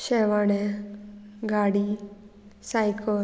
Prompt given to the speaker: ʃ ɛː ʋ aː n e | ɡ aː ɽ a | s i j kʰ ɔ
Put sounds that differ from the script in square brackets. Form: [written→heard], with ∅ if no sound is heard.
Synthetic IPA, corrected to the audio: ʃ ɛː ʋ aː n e | ɡ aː ɽ [a→i] | s [i→a] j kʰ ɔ